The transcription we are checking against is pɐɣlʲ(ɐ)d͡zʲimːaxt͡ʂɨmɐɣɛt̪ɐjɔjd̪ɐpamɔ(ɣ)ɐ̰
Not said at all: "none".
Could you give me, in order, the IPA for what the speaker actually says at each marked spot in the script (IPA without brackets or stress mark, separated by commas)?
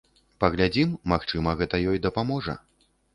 a, ʐ